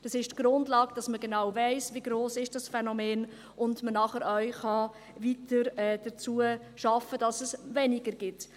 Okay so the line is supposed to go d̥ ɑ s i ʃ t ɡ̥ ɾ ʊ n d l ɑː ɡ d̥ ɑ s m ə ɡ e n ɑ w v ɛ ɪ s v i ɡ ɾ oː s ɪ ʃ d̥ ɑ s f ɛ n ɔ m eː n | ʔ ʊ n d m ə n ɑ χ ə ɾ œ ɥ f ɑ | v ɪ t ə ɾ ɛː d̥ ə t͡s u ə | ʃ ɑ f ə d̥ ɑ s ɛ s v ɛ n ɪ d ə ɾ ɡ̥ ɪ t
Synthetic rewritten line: d̥ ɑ s ɪ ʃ t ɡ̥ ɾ ʊ n d l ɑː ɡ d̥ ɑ s m ə ɡ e n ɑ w v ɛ ɪ s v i ɡ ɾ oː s ɪ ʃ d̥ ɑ s f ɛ n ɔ m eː n | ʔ ʊ n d m ə n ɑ χ ə ɾ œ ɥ χ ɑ | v i t ə ɾ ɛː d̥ ə t͡s u ə | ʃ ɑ f ə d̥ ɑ s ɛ s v ɛ n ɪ ɡ ə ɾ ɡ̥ ɪ t